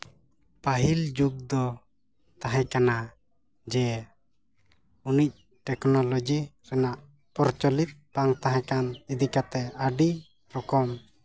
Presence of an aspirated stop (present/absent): absent